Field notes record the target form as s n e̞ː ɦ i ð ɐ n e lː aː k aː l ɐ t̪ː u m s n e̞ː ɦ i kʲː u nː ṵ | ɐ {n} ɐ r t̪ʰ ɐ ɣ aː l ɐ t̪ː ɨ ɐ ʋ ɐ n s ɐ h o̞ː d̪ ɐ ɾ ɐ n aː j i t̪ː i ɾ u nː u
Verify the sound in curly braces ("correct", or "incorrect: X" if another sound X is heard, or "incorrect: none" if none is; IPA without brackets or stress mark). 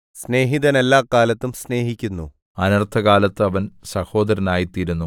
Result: correct